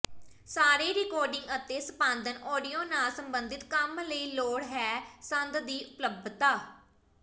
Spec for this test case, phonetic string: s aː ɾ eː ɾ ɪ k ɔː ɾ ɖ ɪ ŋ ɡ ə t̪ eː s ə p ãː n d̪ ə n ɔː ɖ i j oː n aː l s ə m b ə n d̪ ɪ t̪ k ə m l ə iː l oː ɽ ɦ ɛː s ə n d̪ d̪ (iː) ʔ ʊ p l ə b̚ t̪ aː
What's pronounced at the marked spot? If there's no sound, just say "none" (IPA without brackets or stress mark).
iː